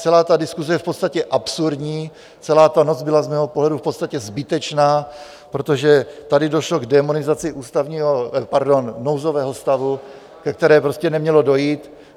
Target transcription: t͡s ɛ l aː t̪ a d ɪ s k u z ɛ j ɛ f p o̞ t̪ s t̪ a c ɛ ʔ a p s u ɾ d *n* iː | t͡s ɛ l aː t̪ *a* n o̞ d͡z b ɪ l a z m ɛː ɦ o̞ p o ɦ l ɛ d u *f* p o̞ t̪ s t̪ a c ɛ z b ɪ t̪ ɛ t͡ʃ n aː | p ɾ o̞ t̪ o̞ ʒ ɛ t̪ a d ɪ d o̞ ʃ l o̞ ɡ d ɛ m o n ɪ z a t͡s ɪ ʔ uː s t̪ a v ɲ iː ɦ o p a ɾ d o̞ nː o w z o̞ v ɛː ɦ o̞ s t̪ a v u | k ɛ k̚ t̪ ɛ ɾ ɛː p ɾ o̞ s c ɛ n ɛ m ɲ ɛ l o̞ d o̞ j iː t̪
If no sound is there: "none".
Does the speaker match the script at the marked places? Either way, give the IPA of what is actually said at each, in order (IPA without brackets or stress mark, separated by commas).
ɲ, a, f